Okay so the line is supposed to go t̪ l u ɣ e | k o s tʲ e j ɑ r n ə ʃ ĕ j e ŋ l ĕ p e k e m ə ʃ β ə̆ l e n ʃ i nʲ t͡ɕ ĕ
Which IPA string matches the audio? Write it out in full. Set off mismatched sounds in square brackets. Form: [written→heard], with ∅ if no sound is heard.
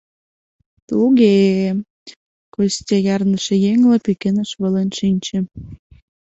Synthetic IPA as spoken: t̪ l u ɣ e | k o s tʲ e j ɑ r n ə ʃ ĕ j e ŋ l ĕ p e k e [m→n] ə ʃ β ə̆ l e n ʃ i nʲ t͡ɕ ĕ